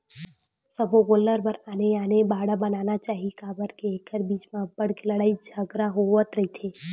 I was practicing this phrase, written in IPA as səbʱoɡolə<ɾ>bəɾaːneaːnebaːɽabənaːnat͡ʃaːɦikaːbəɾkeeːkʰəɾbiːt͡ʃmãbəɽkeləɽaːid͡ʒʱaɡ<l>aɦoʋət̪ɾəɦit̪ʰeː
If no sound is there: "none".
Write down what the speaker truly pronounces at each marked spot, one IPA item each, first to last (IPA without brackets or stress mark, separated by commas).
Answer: ɾ, ɾ